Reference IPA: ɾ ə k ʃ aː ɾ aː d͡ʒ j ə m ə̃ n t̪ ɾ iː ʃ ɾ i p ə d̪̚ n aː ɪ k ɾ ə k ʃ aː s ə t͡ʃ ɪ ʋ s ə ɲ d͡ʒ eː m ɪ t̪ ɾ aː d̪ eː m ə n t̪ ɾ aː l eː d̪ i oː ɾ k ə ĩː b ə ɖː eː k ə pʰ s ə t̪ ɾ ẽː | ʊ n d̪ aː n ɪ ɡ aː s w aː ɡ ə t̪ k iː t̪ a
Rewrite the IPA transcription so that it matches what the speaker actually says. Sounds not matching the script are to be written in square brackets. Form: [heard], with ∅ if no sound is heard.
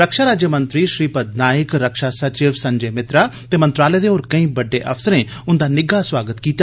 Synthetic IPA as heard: ɾ ə k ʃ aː ɾ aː d͡ʒ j ə m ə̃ n t̪ ɾ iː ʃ ɾ [iː] p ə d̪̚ n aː ɪ k ɾ ə k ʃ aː s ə t͡ʃ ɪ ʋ s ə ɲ d͡ʒ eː m ɪ t̪ ɾ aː [t̪] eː m ə n t̪ ɾ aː l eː d̪ [e] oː ɾ k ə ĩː b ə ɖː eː [ʔ] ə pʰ s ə [∅] ɾ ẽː | ʊ n d̪ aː n ɪ ɡ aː s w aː ɡ ə t̪ k iː t̪ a